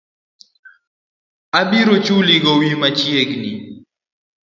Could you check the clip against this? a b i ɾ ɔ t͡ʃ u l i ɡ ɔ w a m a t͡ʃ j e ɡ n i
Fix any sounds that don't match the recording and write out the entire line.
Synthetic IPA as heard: a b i ɾ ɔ t͡ʃ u l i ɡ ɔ w i m a t͡ʃ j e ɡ n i